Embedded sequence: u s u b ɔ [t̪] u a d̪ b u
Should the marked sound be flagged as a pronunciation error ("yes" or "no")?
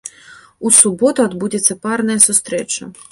no